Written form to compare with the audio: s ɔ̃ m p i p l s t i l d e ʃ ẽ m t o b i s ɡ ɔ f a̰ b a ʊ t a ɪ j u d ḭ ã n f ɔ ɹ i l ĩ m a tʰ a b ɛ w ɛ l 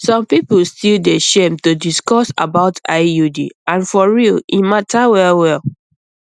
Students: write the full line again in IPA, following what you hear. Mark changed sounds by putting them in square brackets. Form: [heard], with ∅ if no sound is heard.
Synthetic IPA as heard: s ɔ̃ m p i p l s t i l d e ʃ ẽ m t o [d] i s [k] ɔ [s] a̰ b a ʊ t a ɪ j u d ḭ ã n f ɔ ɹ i l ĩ m a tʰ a [w] ɛ w ɛ l